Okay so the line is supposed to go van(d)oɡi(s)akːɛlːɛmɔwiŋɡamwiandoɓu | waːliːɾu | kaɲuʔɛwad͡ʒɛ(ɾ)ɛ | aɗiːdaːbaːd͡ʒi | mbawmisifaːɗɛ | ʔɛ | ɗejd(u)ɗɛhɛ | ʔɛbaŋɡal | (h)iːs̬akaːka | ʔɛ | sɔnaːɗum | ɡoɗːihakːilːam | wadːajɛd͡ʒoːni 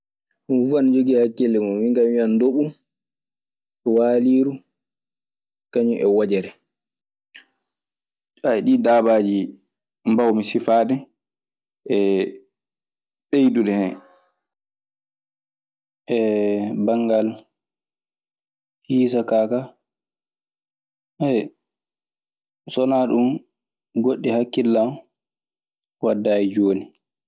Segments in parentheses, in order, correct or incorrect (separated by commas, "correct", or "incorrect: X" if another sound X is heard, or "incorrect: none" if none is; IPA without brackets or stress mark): incorrect: d͡ʒ, incorrect: h, correct, correct, correct